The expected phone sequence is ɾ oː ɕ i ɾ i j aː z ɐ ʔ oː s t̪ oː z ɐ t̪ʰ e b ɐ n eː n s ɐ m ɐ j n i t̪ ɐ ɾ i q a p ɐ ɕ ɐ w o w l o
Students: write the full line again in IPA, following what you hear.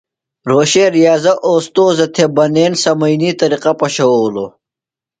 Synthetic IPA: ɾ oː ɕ e ɾ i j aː z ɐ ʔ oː s t̪ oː z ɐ t̪ʰ e b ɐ n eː n s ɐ m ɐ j n i t̪ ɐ ɾ i q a p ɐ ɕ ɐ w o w l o